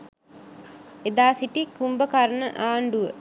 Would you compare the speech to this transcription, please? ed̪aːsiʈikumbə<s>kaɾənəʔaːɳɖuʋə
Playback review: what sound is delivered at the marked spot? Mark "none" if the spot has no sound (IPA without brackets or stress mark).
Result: none